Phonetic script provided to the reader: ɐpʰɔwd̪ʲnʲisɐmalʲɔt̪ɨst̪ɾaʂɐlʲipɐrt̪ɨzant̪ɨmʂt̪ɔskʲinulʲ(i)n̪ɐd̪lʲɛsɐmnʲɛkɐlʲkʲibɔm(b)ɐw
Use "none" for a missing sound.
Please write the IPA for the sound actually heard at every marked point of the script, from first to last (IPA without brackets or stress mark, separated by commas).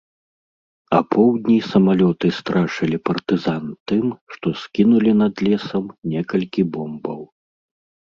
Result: i, b